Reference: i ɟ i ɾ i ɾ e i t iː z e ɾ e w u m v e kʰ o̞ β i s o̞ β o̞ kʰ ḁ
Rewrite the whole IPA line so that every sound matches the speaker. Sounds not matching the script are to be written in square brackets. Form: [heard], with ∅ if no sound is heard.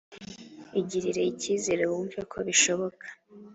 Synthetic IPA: i ɟ i ɾ i ɾ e i [c] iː z e ɾ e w u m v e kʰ o̞ β i [ʃ] o̞ β o̞ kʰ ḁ